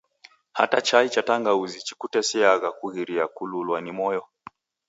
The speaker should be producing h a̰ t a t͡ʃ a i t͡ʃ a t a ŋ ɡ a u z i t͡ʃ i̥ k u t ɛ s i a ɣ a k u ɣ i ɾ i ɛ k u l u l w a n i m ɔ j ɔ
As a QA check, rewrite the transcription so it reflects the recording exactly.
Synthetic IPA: h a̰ t a t͡ʃ a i t͡ʃ a t a ŋ ɡ a u z i t͡ʃ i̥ k u t ɛ s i a ɣ a k u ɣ i ɾ i a k u l u l w a n i m ɔ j ɔ